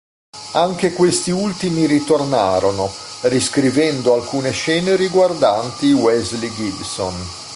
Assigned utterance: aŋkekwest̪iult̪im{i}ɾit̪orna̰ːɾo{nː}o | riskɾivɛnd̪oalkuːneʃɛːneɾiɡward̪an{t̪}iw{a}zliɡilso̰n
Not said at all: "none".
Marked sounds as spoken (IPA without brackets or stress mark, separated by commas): i, n, t̪, ɛ